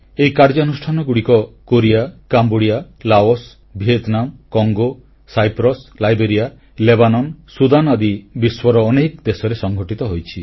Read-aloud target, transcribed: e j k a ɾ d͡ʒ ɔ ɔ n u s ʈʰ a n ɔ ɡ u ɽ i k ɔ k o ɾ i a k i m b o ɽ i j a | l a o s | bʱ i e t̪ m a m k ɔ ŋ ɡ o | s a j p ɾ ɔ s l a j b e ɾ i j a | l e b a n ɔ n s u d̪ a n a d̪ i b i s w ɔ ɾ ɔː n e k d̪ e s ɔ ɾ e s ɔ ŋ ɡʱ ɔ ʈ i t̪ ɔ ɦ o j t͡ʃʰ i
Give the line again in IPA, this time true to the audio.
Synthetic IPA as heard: e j k a ɾ d͡ʒ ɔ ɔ n u s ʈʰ a n ɔ ɡ u ɽ i k ɔ k o ɾ i a k a m b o ɽ i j a | l a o s | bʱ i e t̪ n a m k ɔ ŋ ɡ o | s a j p ɾ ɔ s l a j b e ɾ i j a | l e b a n ɔ n s u d̪ a n a d̪ i b i s w ɔ ɾ ɔː n e k d̪ e s ɔ ɾ e s ɔ ŋ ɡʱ ɔ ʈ i t̪ ɔ ɦ o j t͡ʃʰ i